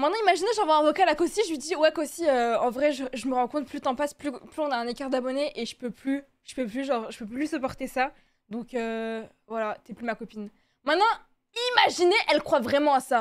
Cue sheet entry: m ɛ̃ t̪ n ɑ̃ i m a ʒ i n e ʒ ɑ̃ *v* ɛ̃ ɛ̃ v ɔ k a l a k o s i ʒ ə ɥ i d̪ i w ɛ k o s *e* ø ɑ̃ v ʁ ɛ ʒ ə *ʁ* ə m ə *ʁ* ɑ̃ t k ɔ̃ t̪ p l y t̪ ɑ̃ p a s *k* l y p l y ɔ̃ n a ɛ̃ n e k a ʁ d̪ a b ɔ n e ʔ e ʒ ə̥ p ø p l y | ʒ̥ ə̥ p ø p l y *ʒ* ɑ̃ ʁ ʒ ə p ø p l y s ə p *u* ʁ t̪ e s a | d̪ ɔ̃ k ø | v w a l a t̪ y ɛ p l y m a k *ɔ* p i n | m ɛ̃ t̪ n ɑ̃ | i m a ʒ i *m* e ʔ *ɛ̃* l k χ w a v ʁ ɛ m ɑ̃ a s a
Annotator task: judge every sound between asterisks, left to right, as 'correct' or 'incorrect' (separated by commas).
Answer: correct, incorrect, incorrect, correct, incorrect, correct, incorrect, correct, incorrect, incorrect